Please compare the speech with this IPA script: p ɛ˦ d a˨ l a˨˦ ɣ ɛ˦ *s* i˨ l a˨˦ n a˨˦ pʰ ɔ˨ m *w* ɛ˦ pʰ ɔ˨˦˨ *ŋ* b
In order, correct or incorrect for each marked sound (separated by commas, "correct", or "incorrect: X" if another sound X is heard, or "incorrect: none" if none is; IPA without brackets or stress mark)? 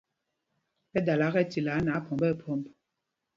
incorrect: t, incorrect: b, incorrect: m